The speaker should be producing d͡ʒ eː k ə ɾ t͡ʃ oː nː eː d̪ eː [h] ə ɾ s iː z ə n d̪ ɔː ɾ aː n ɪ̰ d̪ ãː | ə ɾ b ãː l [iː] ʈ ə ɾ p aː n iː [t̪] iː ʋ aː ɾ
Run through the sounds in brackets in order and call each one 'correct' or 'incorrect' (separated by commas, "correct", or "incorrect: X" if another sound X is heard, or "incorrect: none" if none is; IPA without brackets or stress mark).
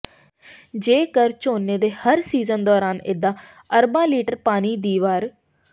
correct, correct, incorrect: d̪